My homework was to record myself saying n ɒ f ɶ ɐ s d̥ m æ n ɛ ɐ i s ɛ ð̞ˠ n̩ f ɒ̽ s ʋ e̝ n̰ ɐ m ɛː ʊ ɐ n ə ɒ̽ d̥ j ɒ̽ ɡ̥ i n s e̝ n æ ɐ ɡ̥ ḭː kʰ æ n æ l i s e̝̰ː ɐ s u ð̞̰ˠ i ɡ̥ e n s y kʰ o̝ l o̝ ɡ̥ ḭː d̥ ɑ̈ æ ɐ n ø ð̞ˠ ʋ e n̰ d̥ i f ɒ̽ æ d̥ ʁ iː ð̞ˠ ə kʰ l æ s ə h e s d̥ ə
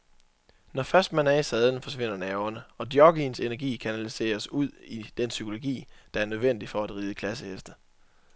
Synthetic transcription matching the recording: n ɒ f ɶ ɐ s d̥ m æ n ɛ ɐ i s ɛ ð̞ˠ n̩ f ɒ̽ s ʋ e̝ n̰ ɐ n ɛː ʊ ɐ n ə ɒ̽ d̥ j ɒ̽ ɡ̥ i n s e̝ n æ ɐ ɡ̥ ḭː kʰ æ n æ l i s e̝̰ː ɐ s u ð̞̰ˠ i d̥ e n s y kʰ o̝ l o̝ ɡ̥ ḭː d̥ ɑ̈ æ ɐ n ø ð̞ˠ ʋ e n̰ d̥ i f ɒ̽ æ d̥ ʁ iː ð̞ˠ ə kʰ l æ s ə h e s d̥ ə